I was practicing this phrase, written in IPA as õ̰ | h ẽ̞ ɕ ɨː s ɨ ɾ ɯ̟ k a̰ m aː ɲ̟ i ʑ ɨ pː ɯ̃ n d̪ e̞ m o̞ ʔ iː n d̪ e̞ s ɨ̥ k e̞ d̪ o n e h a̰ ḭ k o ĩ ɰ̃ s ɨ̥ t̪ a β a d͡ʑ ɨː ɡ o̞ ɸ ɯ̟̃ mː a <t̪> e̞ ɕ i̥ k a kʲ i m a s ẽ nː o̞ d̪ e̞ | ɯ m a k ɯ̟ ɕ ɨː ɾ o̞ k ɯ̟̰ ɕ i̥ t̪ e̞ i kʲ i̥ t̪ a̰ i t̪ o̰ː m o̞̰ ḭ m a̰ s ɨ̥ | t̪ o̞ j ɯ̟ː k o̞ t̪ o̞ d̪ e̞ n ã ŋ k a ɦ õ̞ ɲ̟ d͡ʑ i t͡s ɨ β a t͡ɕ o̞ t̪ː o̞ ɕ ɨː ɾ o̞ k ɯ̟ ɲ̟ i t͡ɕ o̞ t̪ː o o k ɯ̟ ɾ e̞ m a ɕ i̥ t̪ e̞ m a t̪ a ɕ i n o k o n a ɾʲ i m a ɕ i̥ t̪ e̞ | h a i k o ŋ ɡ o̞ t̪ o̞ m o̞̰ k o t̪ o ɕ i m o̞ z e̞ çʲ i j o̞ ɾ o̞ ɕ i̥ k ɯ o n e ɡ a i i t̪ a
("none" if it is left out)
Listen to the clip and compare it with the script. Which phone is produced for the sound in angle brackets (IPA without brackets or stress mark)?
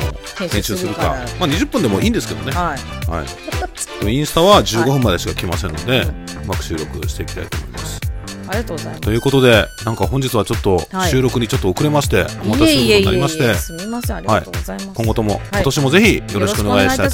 d̪